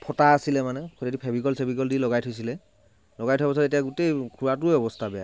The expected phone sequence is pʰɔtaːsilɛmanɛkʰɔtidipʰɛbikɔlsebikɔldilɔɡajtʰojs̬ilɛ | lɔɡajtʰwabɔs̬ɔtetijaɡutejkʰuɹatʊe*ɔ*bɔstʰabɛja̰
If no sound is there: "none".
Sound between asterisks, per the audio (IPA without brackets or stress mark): ɔ